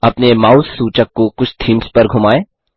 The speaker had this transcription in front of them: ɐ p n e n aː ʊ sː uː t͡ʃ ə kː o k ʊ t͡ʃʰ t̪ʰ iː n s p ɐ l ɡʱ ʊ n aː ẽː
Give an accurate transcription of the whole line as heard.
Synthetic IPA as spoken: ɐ p n e m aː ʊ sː uː t͡ʃ ə kː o k ʊ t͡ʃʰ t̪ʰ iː m s p ɐ ɾ ɡʱ ʊ m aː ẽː